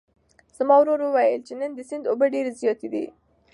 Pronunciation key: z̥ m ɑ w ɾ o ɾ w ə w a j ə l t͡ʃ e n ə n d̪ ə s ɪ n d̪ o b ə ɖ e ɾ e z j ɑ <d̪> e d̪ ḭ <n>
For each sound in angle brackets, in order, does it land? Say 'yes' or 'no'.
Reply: no, no

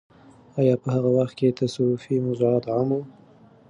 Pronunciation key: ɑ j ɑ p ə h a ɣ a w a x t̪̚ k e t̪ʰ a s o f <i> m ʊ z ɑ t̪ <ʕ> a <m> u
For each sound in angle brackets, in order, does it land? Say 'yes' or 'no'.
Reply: yes, yes, yes

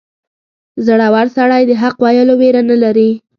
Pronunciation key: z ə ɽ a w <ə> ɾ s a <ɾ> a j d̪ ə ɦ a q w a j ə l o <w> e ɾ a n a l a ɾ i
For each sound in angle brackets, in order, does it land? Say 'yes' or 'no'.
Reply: no, no, yes

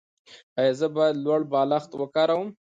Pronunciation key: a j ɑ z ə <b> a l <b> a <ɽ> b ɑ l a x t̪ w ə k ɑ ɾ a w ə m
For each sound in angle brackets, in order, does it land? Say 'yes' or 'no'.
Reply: yes, no, yes

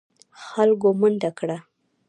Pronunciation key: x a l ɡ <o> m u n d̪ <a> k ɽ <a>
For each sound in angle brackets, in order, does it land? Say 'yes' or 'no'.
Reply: yes, yes, yes

